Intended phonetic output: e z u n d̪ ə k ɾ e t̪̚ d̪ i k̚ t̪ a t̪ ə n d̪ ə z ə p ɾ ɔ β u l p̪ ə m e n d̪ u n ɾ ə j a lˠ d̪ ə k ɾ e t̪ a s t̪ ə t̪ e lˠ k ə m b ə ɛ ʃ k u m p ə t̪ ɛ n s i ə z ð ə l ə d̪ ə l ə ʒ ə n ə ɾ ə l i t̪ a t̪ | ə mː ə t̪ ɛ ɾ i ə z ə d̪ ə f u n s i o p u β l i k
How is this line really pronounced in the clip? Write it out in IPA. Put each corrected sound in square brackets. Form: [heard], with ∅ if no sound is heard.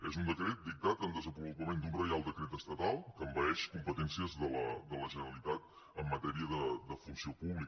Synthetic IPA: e z u n d̪ ə k ɾ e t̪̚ d̪ i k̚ t̪ a t̪ ə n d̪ ə z ə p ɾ [u] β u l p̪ ə m e n d̪ u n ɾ ə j a lˠ d̪ ə k ɾ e t̪ [ə] s t̪ ə t̪ [a] lˠ k ə m b ə ɛ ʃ k u m p ə t̪ ɛ n s i ə z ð ə l ə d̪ ə l ə ʒ ə n ə ɾ ə l i t̪ a t̪ | ə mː ə t̪ ɛ ɾ i ə [ð] ə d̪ ə f u n s i o p u β l i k